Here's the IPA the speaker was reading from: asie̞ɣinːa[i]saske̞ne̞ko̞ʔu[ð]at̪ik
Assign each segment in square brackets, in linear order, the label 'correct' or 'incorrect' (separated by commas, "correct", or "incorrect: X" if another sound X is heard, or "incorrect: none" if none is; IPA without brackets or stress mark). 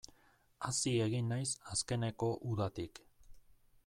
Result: incorrect: j, correct